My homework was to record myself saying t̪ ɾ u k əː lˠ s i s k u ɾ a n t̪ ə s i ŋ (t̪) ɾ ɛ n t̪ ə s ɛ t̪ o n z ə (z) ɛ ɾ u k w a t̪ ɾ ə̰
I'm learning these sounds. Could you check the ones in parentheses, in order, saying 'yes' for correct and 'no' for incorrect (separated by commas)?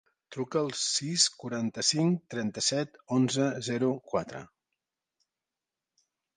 yes, yes